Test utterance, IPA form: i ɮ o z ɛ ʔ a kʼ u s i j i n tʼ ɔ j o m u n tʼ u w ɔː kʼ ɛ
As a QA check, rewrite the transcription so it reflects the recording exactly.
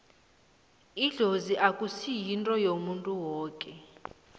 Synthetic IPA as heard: i ɮ o z i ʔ a kʼ u s i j i n tʼ ɔ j o m u n tʼ u w ɔː kʼ ɛ